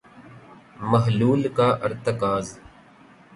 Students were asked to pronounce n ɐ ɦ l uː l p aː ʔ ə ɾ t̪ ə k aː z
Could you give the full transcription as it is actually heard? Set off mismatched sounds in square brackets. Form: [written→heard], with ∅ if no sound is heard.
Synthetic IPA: [n→m] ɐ ɦ l uː l [p→k] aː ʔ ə ɾ t̪ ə k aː z